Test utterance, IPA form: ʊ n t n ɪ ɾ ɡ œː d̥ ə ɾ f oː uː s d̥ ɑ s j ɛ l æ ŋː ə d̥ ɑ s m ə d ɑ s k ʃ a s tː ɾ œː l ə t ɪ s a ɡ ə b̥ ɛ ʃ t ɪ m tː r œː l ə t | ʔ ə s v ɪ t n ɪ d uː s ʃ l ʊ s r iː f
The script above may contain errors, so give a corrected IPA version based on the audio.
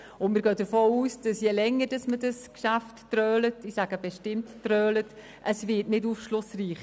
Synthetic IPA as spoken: ʊ n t m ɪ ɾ ɡ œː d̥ ə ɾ f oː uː s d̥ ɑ s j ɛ l ɛ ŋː ə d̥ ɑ s m ə d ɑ s k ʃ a f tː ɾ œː l ə t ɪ s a ɡ ə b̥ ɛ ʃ t ɪ m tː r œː l ə t | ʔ ə s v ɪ t n ɪ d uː f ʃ l ʊ s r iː χ